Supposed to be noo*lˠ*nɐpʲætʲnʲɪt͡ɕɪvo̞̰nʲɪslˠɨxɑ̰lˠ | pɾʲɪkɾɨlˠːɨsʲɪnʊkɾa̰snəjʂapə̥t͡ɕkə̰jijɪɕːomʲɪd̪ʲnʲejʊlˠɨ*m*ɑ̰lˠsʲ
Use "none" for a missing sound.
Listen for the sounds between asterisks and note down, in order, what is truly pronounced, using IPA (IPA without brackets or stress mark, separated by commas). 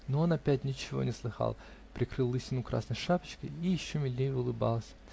none, b